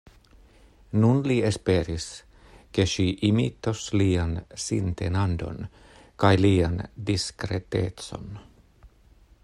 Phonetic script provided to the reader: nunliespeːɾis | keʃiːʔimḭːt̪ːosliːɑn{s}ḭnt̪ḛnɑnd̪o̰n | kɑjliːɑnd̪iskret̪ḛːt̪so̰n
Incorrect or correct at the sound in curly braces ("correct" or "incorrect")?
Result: correct